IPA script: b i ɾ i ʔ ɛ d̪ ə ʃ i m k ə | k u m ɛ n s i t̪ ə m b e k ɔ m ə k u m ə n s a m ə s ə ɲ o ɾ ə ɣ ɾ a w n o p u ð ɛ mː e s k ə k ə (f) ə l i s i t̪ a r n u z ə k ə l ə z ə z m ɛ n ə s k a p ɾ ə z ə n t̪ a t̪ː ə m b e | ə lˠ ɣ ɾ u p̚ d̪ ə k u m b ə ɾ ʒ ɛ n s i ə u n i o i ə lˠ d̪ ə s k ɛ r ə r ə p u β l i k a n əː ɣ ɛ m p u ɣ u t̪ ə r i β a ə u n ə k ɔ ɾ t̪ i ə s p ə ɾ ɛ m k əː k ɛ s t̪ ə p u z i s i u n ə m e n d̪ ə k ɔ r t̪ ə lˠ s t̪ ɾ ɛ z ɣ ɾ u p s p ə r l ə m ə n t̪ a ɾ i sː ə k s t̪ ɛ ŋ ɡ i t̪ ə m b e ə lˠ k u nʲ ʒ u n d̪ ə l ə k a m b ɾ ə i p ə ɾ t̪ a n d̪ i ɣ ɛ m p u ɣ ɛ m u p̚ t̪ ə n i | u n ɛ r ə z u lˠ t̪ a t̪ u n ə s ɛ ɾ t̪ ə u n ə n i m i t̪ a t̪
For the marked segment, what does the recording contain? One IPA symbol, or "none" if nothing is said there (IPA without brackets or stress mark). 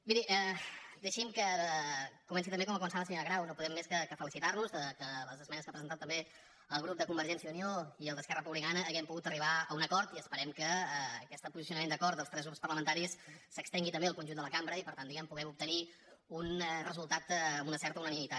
f